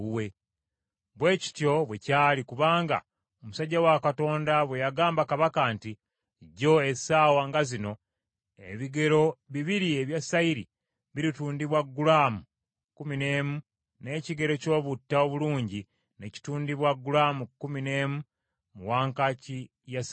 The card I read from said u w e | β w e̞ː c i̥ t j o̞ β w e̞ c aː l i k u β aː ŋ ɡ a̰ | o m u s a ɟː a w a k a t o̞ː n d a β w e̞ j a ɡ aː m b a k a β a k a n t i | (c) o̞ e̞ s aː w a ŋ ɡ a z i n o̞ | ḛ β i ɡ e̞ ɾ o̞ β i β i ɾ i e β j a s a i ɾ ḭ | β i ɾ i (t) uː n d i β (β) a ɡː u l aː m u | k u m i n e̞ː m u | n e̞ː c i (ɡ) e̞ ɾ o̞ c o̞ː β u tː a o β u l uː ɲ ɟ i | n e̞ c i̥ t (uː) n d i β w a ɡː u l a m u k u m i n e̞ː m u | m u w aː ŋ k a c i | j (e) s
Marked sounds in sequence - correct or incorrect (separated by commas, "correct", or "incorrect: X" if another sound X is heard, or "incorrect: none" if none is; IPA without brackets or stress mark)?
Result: incorrect: ɟ, correct, incorrect: w, correct, correct, incorrect: a